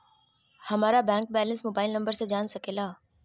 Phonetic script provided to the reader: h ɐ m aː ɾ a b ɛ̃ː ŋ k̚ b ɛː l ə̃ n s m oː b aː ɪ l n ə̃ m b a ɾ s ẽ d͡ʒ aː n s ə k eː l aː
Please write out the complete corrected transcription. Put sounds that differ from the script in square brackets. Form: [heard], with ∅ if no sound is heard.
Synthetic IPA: h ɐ m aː ɾ a b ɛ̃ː ŋ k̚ b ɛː l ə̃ n s m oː b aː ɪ l n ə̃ m b [ə] ɾ s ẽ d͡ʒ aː n s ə k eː l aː